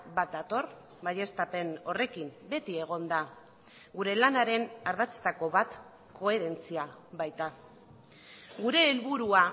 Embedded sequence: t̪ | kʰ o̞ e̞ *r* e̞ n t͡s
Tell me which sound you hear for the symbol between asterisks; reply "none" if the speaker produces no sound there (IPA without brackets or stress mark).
ɾ